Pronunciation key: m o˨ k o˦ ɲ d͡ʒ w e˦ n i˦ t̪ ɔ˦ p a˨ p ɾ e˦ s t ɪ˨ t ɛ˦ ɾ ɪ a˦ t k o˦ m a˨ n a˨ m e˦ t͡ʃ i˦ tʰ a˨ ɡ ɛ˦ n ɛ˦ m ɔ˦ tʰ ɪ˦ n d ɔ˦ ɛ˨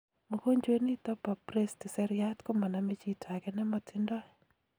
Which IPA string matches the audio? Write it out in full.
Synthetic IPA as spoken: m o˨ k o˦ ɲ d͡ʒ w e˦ n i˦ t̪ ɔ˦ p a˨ p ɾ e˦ s t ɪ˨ s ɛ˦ ɾ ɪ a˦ t k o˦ m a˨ n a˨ m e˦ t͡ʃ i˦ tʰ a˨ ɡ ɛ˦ n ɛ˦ m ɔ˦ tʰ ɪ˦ n d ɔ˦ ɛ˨